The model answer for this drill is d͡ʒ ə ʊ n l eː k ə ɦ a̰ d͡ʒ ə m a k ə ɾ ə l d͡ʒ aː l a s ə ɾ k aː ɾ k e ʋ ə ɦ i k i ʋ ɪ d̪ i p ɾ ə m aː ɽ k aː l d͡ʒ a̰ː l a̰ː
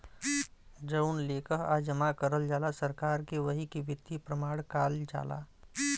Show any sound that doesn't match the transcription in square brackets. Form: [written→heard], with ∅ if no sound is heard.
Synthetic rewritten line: d͡ʒ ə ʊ n l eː k ə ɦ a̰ d͡ʒ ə m a k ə ɾ ə l d͡ʒ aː l a s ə ɾ k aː ɾ k e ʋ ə ɦ i k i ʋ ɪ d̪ i p ɾ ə m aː ɽ k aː l d͡ʒ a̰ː l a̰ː

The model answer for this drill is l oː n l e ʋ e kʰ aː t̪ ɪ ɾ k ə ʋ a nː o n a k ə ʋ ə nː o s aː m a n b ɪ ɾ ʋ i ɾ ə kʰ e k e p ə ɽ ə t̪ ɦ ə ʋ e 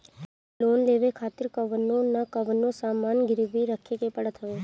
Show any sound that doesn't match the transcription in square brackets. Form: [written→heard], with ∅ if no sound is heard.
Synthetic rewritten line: l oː n l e ʋ e kʰ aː t̪ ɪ ɾ k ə ʋ [a→ə] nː o n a k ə ʋ ə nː o s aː m a n [b→ɡ] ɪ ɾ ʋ i ɾ ə kʰ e k e p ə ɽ ə t̪ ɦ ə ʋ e

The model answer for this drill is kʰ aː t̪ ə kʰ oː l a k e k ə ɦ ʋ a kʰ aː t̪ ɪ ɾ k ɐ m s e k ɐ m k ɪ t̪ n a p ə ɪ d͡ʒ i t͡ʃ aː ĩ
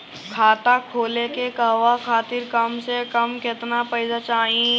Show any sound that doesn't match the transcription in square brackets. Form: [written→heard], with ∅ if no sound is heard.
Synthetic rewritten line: kʰ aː t̪ [ə→a] kʰ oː l [a→e] k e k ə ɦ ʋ a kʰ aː t̪ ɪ ɾ k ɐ m s e k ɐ m k ɪ t̪ n a p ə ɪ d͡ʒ [i→a] t͡ʃ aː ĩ

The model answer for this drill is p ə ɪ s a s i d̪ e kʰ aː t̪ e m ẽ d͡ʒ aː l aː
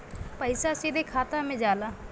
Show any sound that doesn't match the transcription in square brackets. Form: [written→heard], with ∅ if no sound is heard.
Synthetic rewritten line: p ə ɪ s a s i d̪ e kʰ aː t̪ [e→a] m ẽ d͡ʒ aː l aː

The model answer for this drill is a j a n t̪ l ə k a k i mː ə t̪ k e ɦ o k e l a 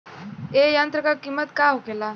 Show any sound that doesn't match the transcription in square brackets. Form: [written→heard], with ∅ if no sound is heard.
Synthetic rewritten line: [a→e] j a n t̪ [l→ɾ] ə k a k i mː ə t̪ k [e→a] ɦ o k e l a

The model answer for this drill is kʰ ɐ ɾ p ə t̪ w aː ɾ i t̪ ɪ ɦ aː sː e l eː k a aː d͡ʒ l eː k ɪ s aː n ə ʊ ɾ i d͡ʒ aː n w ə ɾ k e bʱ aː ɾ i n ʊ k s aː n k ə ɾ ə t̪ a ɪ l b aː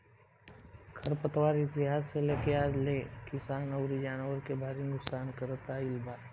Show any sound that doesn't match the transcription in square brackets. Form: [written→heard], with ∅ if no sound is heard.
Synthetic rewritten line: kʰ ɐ ɾ p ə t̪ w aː ɾ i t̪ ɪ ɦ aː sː e l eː k [a→e] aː d͡ʒ l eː k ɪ s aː n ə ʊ ɾ i d͡ʒ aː n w ə ɾ k e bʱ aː ɾ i n ʊ k s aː n k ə ɾ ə t̪ a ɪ l b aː

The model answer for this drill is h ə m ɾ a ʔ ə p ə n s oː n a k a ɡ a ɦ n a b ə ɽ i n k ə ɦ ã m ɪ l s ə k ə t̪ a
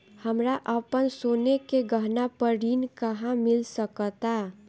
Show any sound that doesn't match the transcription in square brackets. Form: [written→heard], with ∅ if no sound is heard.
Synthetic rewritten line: h ə m ɾ a ʔ ə p ə n s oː n [a→e] k [a→e] ɡ [a→ə] ɦ n a [b→p] ə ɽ i n k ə ɦ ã m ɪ l s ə k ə t̪ a

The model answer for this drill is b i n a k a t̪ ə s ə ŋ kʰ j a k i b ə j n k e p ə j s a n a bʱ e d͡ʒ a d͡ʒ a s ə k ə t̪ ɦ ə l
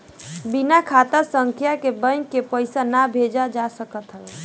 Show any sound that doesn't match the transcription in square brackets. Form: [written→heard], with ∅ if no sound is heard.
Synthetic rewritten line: b i n a [k→kʰ] a t̪ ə s ə ŋ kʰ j a k [i→e] b ə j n k e p ə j s a n a bʱ e d͡ʒ a d͡ʒ a s ə k ə t̪ ɦ ə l

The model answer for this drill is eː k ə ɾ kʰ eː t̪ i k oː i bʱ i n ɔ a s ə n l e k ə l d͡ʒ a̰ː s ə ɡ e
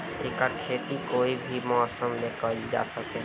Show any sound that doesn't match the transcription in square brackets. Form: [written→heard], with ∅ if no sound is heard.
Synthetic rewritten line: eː k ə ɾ kʰ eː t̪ i k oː i bʱ i [n→m] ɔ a s ə [n→m] l e k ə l d͡ʒ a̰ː s ə [ɡ→k] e

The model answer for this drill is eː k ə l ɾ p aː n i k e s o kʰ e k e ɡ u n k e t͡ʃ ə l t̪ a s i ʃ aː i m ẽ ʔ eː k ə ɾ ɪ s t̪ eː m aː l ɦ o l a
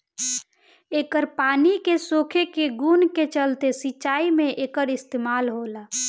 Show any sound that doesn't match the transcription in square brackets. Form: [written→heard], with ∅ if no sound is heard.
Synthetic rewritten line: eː k ə [l→∅] ɾ p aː n i k e s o kʰ e k e ɡ u n k e t͡ʃ ə l t̪ [a→e] s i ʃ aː i m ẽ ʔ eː k ə ɾ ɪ s t̪ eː m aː l ɦ o l a

